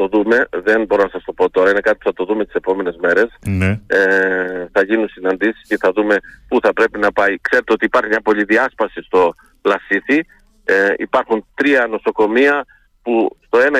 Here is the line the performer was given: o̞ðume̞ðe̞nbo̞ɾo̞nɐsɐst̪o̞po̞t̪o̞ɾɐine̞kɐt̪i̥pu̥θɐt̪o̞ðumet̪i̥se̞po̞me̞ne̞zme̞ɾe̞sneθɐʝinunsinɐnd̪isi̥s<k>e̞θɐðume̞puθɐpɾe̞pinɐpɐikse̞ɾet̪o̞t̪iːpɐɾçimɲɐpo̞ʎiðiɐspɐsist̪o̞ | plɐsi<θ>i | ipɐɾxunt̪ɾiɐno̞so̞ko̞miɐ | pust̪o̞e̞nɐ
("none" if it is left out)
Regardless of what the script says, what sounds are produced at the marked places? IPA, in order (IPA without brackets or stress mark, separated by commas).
c, θ